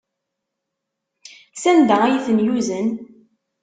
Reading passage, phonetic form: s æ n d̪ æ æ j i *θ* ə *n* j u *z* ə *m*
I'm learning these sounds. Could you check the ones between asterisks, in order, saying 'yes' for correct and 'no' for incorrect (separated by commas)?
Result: yes, yes, yes, no